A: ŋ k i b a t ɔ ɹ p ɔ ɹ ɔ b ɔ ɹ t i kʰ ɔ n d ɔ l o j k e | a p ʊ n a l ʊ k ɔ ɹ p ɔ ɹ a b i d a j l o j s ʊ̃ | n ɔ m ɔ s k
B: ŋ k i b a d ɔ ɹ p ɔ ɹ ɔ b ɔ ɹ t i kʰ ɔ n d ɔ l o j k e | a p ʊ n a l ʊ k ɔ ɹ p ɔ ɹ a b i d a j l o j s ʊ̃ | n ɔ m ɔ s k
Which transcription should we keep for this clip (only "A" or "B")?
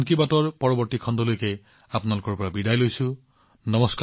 A